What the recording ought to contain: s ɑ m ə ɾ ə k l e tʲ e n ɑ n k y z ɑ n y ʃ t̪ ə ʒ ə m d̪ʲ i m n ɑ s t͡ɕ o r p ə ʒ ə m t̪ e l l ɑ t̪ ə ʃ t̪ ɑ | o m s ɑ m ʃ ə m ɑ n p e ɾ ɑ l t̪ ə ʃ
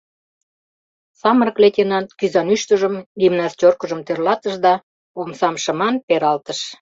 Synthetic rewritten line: s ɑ m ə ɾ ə k l e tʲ e n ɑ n k y z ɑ n y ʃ t̪ ə ʒ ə m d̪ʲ i m n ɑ s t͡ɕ o r k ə ʒ ə m t̪ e r l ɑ t̪ ə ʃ d̪ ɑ | o m s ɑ m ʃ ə m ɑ n p e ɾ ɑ l t̪ ə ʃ

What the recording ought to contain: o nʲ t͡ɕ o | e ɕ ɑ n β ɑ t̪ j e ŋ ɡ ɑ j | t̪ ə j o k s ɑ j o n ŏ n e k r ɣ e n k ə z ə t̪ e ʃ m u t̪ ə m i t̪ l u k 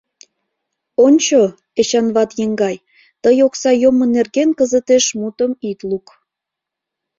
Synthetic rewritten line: o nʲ t͡ɕ o | e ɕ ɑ n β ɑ t̪ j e ŋ ɡ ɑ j | t̪ ə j o k s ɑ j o m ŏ n e r ɣ e n k ə z ə t̪ e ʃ m u t̪ ə m i t̪ l u k

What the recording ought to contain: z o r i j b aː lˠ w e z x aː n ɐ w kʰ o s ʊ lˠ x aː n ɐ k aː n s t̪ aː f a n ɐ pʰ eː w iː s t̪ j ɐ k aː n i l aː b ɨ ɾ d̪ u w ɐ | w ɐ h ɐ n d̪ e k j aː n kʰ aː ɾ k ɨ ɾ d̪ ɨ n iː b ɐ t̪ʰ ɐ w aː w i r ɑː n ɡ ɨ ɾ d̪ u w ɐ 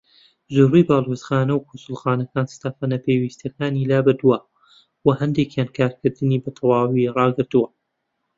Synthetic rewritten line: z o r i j b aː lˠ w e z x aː n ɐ w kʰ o s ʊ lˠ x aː n ɐ k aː n s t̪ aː f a n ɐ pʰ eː w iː s t̪ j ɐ k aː n i l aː b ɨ ɾ d̪ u w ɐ | w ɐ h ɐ n d̪ e k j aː n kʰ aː ɾ k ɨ ɾ d̪ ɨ n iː b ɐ t̪ʰ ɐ w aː w i r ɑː ɡ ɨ ɾ t̪ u w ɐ

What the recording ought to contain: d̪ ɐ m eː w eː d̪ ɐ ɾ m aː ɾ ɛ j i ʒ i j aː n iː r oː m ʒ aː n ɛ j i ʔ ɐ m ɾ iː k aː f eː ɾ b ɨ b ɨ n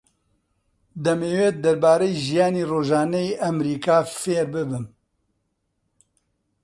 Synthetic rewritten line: d̪ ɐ m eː w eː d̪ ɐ ɾ b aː ɾ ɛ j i ʒ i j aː n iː r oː ʒ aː n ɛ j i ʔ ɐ m ɾ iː k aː f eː ɾ b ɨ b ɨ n

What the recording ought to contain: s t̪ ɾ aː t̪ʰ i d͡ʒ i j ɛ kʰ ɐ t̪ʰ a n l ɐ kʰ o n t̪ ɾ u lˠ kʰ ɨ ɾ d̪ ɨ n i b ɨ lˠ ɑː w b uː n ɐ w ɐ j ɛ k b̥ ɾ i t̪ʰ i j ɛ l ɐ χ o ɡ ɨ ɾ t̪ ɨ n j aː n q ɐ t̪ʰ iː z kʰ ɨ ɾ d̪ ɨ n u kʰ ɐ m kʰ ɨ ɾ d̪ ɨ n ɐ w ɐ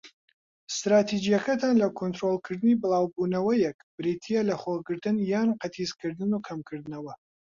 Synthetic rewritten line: s t̪ ɾ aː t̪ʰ i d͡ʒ i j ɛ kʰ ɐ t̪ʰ a n l ɐ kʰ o n t̪ ɾ o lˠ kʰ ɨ ɾ d̪ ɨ n i b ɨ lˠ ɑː w b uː n ɐ w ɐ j ɛ k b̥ ɾ i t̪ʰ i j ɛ l ɐ χ o ɡ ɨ ɾ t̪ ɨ n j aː n q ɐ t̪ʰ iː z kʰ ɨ ɾ d̪ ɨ n u kʰ ɐ m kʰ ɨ ɾ d̪ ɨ n ɐ w ɐ

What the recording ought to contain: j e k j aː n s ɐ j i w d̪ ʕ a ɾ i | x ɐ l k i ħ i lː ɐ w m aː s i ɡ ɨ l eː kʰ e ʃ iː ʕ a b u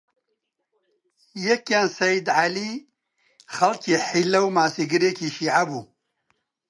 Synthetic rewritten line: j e k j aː n s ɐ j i d̪ ʕ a l i | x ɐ l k i ħ i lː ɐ w m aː s i ɡ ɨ ɾ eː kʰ i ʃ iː ʕ a b u

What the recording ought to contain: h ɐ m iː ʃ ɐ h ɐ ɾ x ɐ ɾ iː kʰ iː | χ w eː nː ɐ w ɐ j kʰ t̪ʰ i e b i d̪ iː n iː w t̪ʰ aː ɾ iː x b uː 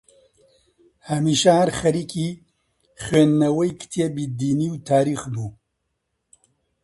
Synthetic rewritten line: h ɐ m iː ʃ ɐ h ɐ ɾ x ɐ ɾ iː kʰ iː | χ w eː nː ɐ w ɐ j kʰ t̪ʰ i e b i d̪ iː n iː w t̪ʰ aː ɾ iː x b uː

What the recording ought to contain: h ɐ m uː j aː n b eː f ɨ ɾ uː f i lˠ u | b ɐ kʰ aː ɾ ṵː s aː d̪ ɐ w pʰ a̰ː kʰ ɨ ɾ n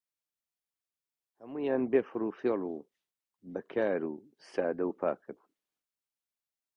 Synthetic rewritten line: h ɐ m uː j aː n b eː f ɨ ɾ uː f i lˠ u | b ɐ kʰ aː ɾ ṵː s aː d̪ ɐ w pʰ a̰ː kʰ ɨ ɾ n

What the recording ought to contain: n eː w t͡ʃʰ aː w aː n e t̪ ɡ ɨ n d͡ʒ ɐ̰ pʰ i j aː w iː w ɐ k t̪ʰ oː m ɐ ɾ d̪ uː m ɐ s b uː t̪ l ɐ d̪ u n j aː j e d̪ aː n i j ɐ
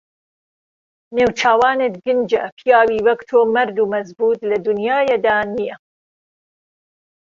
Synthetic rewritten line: n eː w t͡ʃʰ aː w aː n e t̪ ɡ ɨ n d͡ʒ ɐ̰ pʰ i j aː w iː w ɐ k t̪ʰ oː m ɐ ɾ d̪ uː m ɐ z b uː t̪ l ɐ d̪ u n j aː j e d̪ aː n i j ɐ

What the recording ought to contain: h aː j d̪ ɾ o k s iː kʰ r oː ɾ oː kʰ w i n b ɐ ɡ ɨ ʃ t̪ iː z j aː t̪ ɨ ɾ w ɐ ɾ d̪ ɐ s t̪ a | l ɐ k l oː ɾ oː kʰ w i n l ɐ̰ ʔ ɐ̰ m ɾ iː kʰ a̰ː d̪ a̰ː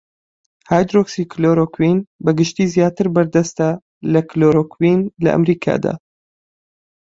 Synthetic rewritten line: h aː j d̪ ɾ o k s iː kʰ l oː ɾ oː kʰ w i n b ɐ ɡ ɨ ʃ t̪ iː z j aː t̪ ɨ ɾ b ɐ ɾ d̪ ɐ s t̪ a | l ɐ k l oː ɾ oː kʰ w i n l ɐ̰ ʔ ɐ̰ m ɾ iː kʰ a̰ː d̪ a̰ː

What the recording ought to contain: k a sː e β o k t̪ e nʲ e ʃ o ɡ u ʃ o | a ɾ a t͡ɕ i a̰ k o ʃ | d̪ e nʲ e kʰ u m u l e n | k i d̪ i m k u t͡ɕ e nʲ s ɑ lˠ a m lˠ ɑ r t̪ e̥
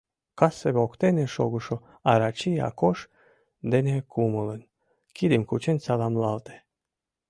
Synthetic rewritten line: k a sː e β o k t̪ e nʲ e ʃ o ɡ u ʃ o | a ɾ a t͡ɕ i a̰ k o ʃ | d̪ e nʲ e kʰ u m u l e n | k i d̪ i m k u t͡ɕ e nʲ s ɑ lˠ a m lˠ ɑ l t̪ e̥

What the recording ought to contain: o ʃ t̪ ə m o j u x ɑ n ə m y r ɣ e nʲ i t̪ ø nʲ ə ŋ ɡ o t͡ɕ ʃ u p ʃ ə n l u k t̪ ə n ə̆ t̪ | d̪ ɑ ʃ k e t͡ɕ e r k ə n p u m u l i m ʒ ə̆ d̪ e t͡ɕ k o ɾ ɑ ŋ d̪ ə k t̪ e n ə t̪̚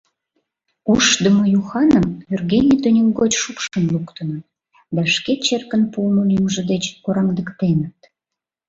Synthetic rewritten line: u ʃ d̪ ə m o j u x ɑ n ə m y r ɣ e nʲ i t̪ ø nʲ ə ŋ ɡ o t͡ɕ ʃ u p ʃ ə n l u k t̪ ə n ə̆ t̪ | d̪ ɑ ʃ k e t͡ɕ e r k ə n p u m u l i m ʒ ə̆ d̪ e t͡ɕ k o ɾ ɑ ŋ d̪ ə k t̪ e n ə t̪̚

